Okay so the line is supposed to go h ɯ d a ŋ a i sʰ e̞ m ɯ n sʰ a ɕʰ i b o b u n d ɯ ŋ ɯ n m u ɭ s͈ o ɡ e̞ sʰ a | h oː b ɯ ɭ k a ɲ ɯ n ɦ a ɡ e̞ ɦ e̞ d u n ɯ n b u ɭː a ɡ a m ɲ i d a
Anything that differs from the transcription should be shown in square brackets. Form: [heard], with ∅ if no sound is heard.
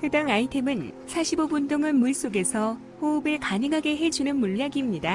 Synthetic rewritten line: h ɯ d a ŋ a i [tʰ] e̞ m ɯ n sʰ a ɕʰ i b o b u n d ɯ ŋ ɯ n m u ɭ s͈ o ɡ e̞ sʰ [ʌ] | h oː b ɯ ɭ k a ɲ ɯ [ŋ] ɦ a ɡ e̞ ɦ e̞ [d͡ʑ] u n ɯ n [m] u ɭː a ɡ [i] m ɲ i d a